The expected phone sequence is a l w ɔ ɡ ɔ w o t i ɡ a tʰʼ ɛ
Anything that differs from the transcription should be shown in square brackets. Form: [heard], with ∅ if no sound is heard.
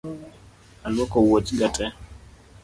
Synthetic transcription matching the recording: a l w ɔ [k] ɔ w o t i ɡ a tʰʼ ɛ